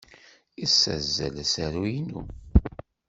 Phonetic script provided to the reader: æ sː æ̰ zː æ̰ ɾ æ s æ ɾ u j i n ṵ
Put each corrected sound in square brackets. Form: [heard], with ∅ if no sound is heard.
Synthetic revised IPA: [i] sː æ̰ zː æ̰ [l] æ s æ ɾ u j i n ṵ